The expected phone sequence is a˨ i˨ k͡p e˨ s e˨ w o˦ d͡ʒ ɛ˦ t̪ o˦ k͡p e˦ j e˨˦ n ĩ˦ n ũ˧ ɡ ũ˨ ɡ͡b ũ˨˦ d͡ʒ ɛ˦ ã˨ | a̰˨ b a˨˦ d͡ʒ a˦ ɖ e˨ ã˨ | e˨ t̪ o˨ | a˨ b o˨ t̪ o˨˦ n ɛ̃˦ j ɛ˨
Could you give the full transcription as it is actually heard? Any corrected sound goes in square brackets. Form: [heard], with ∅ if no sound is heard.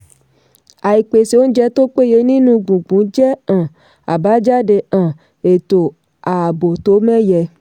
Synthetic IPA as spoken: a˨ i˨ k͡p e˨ s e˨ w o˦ d͡ʒ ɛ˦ t̪ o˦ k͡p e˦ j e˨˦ n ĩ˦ n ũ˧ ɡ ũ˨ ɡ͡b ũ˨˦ d͡ʒ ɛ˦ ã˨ | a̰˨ b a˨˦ d͡ʒ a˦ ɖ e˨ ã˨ | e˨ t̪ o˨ | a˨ b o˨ t̪ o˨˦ [m] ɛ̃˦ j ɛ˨